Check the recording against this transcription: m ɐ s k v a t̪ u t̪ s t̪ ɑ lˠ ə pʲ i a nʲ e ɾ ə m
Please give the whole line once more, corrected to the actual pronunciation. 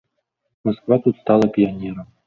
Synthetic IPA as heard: m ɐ s k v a t̪ u t̪ s t̪ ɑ lˠ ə pʲ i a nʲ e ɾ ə m